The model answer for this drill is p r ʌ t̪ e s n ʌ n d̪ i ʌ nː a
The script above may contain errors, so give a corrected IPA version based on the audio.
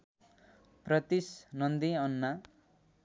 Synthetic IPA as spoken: p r ʌ t̪ i s n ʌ n d̪ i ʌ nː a